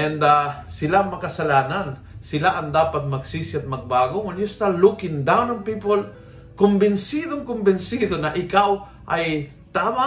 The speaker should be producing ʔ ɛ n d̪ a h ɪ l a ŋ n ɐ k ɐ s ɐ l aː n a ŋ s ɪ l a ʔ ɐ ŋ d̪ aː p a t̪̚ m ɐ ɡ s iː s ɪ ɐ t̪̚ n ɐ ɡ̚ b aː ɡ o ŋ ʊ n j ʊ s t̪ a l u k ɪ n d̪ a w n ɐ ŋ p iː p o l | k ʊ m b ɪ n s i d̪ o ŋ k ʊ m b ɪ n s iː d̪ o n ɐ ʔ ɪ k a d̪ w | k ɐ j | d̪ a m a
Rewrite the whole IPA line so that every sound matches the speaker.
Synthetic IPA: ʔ ɛ n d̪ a s ɪ l a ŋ m ɐ k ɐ s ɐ l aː n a n s ɪ l a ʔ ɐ ŋ d̪ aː p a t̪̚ m ɐ ɡ s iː s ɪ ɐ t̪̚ m ɐ ɡ̚ b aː ɡ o ŋ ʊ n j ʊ s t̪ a l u k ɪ n d̪ a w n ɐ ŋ p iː p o l | k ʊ m b ɪ n s i d̪ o ŋ k ʊ m b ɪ n s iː d̪ o n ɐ ʔ ɪ k a w | ʔ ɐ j | t̪ a m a